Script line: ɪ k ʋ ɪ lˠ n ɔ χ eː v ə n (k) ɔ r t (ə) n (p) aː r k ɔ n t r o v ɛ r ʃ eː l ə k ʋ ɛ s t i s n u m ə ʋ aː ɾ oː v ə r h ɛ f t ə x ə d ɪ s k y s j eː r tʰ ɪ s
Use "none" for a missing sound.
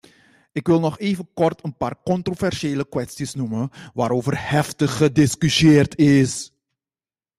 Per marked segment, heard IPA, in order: k, ə, p

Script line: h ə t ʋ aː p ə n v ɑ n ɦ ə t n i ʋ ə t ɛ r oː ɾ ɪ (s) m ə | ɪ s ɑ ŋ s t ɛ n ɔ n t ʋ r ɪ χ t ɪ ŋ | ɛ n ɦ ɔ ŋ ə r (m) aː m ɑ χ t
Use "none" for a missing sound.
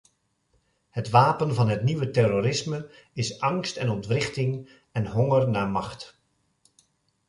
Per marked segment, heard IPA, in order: s, n

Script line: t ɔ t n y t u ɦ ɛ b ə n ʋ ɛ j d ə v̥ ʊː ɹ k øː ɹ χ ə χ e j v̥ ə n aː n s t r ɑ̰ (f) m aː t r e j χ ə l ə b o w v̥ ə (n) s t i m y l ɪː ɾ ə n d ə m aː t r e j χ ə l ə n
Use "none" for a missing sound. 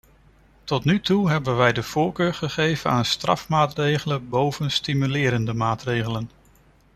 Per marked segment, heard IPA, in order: f, n

